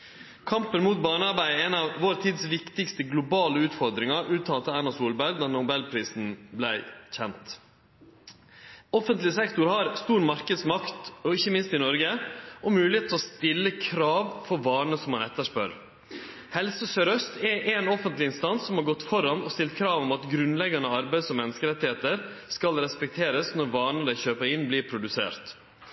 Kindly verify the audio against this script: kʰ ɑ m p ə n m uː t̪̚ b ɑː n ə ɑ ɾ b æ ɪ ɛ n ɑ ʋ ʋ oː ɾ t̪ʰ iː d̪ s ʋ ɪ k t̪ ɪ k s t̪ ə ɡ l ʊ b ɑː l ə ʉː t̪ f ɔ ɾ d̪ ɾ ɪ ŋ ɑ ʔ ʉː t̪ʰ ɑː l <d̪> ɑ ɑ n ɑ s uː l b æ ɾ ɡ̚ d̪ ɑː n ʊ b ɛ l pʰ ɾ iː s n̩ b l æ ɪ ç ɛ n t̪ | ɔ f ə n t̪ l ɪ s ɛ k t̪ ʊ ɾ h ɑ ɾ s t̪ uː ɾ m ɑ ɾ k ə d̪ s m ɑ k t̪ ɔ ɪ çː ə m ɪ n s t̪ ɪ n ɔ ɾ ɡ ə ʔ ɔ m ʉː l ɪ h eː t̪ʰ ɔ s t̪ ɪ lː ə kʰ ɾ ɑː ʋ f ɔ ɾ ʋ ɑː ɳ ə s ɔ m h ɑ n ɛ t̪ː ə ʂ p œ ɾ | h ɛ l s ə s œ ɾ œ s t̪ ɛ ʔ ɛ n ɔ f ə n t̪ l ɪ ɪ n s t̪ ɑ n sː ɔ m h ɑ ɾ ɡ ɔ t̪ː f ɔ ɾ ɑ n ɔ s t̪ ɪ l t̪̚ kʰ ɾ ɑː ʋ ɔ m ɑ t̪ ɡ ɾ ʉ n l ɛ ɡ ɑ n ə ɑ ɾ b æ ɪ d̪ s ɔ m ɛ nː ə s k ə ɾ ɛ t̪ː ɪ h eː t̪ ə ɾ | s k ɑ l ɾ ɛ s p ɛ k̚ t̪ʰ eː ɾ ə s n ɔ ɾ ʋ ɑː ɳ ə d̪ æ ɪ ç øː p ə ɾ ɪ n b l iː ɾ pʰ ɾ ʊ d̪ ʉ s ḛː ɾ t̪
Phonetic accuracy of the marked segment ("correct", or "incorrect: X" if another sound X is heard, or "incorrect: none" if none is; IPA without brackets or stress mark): incorrect: t̪